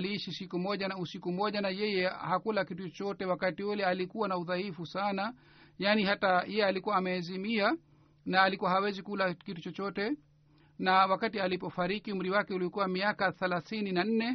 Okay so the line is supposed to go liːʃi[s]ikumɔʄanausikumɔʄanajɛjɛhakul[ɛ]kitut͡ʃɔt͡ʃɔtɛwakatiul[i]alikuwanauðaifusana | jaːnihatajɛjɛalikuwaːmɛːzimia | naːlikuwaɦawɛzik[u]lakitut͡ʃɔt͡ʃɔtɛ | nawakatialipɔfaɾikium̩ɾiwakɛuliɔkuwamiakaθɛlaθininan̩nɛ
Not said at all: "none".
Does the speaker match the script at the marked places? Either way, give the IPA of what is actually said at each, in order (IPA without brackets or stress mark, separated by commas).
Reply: s, a, ɛ, u